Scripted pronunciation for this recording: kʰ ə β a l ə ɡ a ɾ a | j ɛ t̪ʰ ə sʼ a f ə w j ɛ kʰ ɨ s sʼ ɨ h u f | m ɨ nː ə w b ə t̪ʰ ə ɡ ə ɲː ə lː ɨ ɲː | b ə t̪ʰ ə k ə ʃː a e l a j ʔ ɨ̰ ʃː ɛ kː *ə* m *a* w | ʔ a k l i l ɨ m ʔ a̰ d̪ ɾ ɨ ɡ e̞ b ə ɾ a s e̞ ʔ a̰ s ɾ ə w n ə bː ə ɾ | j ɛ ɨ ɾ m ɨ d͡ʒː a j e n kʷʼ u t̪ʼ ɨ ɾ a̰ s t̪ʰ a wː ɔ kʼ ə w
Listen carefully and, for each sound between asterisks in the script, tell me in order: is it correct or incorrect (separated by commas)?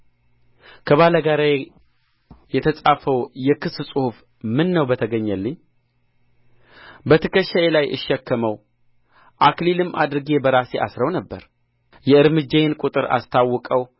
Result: correct, incorrect